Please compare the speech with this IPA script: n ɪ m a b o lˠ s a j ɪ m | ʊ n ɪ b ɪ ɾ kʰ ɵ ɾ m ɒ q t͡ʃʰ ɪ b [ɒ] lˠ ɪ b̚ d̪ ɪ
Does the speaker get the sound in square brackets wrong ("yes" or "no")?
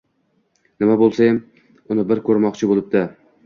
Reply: yes